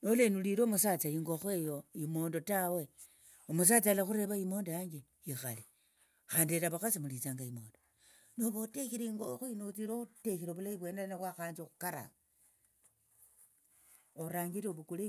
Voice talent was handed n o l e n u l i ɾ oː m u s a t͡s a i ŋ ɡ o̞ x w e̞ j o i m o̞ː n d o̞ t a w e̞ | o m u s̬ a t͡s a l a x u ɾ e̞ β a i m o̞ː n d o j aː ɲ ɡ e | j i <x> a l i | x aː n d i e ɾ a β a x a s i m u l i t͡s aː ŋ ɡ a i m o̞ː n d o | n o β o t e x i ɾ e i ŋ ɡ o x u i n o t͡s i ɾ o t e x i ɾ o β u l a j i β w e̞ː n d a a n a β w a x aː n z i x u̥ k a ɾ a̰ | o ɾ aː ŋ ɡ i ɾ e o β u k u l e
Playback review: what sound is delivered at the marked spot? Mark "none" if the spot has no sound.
x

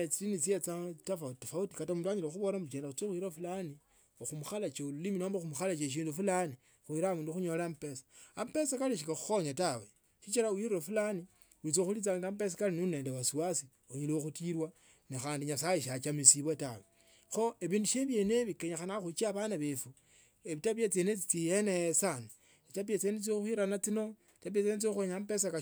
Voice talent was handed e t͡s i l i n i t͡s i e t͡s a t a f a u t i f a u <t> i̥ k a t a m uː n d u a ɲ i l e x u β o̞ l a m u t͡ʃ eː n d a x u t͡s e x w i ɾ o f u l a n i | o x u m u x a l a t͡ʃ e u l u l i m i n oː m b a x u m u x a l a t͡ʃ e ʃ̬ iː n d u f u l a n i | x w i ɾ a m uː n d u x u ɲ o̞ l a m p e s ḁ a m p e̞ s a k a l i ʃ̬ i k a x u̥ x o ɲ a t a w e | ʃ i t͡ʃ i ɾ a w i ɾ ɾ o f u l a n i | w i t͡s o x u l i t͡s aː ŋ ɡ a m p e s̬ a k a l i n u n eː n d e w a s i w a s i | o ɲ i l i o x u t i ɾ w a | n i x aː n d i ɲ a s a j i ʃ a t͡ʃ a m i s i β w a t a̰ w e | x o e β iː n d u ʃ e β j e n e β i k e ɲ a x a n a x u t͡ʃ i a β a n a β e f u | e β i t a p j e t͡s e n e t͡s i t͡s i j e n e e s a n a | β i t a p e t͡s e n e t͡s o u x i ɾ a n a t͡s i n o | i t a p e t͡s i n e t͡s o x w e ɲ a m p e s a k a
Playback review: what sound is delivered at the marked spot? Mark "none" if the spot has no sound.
t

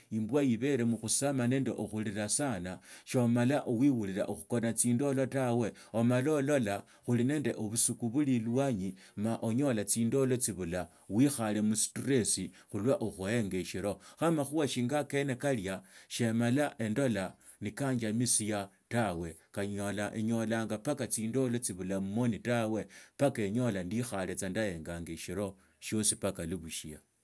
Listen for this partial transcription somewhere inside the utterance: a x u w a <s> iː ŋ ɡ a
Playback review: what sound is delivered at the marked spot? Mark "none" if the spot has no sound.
ʃ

